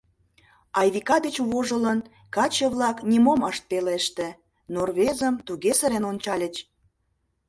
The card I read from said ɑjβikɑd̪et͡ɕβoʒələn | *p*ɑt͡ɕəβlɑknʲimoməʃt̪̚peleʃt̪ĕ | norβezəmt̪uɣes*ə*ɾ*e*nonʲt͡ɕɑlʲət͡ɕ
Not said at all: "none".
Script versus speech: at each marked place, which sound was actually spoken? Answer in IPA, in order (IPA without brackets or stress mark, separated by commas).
k, ə, e